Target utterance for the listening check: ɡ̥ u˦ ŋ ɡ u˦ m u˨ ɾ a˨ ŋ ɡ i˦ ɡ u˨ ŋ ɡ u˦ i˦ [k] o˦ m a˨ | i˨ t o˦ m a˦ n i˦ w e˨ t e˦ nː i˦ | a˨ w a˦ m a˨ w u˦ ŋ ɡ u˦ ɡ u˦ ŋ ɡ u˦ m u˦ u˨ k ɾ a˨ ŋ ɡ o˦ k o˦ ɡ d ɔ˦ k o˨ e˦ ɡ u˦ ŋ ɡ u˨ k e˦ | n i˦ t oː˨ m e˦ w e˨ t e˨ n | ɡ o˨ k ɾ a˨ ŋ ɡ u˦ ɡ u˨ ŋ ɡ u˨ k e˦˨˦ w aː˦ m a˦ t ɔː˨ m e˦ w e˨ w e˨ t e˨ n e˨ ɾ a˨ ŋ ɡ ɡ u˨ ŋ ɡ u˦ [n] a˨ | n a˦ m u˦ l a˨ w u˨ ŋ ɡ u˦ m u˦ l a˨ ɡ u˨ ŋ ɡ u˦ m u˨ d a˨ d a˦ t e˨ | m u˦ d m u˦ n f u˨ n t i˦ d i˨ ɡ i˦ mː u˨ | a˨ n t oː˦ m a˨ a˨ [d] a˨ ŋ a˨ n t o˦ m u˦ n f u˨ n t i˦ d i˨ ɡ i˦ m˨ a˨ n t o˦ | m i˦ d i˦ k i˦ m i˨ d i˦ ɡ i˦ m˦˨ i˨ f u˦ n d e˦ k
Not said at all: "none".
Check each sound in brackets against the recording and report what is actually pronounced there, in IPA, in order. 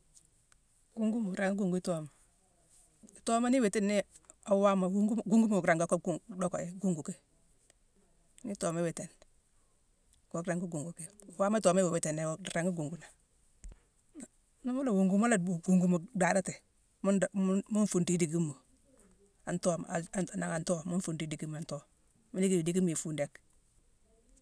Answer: t, n, n

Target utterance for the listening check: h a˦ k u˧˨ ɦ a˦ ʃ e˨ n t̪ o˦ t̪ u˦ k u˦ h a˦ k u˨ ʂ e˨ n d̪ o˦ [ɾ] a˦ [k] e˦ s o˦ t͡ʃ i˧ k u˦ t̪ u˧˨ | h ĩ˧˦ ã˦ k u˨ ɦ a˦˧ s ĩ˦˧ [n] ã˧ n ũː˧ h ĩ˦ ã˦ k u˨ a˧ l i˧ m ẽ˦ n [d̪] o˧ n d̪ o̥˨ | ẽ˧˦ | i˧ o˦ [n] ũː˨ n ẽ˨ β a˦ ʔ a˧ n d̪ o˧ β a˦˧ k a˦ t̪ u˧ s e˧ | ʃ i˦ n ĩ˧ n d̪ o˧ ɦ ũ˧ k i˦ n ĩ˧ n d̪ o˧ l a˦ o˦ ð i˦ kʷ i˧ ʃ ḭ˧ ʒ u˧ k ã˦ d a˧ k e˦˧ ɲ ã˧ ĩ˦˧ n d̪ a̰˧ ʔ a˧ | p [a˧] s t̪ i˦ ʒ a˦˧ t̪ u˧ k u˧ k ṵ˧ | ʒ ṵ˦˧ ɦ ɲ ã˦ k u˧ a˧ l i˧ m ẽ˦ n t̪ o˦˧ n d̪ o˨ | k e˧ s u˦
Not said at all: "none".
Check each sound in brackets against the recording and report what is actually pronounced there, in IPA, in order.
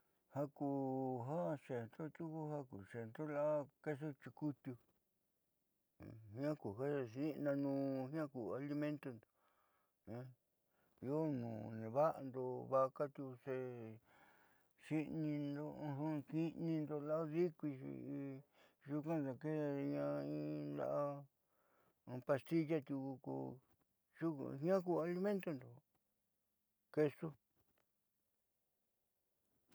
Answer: l, k, n, t̪, n, a˧

